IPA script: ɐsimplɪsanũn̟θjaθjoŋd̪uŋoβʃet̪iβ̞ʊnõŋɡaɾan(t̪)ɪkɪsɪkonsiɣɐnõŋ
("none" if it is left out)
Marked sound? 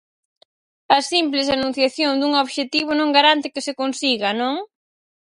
t̪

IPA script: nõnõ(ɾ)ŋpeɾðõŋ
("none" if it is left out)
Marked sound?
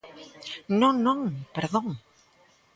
none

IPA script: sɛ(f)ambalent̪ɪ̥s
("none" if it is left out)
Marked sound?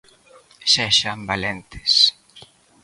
ʃ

